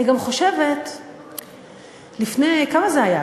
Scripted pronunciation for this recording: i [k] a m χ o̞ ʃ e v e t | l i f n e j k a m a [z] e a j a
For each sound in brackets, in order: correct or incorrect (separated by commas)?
incorrect, correct